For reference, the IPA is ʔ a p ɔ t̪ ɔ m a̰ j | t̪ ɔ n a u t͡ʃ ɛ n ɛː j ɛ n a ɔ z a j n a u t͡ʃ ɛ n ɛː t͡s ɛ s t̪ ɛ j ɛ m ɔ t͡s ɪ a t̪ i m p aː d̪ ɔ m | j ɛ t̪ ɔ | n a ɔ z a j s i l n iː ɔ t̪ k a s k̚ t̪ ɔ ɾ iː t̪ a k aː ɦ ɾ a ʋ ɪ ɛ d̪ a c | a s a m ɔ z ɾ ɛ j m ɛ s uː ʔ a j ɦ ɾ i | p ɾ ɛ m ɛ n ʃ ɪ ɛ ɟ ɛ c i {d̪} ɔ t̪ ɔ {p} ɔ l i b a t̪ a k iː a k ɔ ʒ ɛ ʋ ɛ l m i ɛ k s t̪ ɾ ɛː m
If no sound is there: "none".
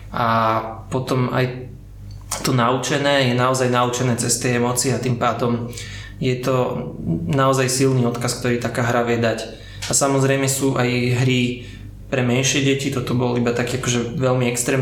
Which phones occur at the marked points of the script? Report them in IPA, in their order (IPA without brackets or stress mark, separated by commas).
t̪, b